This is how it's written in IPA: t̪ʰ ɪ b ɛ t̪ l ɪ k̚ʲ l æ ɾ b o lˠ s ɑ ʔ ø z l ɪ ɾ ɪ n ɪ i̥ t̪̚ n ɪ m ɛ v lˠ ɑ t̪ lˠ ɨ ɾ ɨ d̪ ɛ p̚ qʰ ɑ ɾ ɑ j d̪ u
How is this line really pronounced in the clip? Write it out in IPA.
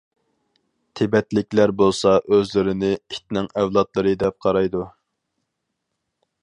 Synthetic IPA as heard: t̪ʰ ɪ b ɛ t̪ l ɪ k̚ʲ l æ ɾ b o lˠ s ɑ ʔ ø z l ɪ ɾ ɪ n ɪ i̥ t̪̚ n ɪ ŋ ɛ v lˠ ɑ t̪ lˠ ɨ ɾ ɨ d̪ ɛ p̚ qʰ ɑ ɾ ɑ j d̪ u